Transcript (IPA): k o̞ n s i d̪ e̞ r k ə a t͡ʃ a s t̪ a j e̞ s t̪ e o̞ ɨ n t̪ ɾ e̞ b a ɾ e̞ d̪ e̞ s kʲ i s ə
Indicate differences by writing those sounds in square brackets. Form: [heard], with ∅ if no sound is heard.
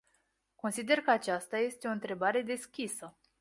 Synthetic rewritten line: k o̞ n s i d̪ e̞ r k ə a t͡ʃ a s t̪ a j e̞ s t̪ e o̞ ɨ n t̪ ɾ e̞ b a ɾ e̞ d̪ e̞ s kʲ i s ə